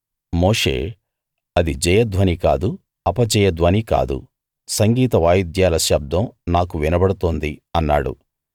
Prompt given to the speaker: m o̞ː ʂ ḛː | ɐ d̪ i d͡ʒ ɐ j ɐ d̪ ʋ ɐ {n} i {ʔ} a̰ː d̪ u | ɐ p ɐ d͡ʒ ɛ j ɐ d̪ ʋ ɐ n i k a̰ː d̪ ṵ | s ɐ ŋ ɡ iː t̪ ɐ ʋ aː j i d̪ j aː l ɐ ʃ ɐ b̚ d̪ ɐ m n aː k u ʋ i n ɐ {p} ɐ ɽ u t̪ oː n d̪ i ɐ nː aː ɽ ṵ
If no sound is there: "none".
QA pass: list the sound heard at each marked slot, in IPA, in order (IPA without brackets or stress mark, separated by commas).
n, k, b